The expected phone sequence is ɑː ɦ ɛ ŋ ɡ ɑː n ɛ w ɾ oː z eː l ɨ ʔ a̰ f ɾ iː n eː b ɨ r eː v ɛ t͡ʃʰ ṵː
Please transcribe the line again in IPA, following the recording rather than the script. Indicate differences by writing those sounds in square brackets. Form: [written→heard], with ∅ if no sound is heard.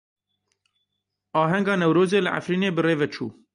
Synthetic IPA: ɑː ɦ ɛ ŋ ɡ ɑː n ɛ w ɾ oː z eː l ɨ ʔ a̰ f ɾ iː n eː b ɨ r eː v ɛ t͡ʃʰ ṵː